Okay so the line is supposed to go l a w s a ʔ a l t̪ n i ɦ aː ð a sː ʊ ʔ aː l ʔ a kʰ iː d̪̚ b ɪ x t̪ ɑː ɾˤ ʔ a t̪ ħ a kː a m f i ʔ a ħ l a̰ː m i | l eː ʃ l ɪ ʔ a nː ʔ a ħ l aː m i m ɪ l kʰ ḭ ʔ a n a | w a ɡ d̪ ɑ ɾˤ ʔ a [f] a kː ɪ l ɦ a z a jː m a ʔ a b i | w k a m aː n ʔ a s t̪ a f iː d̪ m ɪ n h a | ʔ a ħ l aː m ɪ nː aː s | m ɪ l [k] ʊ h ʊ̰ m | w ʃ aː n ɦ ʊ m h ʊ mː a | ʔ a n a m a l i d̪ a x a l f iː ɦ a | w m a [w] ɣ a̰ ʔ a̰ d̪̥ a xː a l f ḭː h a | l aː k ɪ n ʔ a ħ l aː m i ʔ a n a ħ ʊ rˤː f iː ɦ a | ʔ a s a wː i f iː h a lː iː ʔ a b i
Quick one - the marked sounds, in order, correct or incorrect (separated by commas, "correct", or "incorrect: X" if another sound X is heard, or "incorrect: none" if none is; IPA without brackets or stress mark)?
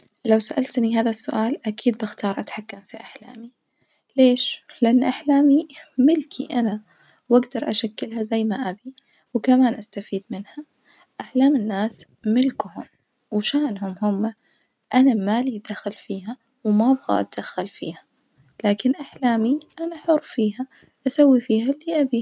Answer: incorrect: ʃ, correct, incorrect: b